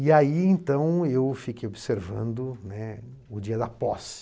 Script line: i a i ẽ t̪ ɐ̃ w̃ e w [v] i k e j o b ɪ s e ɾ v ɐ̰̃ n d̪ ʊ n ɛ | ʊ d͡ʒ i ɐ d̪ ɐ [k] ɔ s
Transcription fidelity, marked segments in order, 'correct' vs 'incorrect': incorrect, incorrect

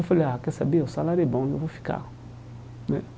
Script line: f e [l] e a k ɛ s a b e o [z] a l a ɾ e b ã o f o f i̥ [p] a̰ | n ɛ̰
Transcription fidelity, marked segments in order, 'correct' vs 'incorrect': correct, incorrect, incorrect

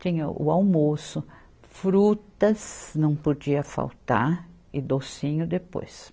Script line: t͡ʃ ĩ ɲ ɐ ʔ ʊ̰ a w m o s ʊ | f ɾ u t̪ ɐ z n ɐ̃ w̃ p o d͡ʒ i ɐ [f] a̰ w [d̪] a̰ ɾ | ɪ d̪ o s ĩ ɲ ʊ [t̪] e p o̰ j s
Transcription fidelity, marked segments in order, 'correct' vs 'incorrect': correct, incorrect, incorrect

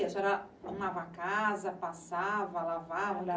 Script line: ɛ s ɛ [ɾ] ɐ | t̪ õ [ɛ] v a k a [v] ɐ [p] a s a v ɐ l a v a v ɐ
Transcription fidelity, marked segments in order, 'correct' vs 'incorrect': correct, incorrect, incorrect, correct

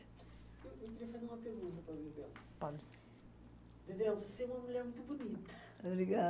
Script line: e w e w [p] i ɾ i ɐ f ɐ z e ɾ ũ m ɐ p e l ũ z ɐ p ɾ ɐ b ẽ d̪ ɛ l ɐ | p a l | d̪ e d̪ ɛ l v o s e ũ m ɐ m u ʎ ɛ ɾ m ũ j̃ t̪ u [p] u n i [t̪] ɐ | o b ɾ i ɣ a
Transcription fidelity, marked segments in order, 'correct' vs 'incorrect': incorrect, incorrect, correct

